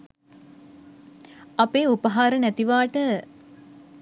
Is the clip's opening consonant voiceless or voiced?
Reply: voiceless